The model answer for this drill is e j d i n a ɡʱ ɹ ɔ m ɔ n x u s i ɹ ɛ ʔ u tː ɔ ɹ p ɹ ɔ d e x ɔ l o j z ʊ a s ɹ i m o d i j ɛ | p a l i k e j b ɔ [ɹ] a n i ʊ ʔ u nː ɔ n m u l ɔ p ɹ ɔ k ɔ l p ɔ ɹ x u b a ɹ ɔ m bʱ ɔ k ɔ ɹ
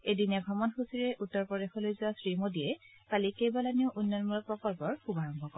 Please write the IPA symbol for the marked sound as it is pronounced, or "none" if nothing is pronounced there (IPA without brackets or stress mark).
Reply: l